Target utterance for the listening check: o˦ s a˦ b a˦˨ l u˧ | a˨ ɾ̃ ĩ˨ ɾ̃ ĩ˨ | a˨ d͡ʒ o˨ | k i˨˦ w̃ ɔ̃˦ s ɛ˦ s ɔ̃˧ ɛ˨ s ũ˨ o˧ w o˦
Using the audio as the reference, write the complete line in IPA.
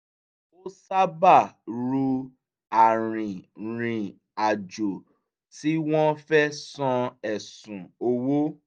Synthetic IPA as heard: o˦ s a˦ b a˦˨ ɾ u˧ | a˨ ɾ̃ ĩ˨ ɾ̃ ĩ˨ | a˨ d͡ʒ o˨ | t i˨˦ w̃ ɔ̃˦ f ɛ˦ s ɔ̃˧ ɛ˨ s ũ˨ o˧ w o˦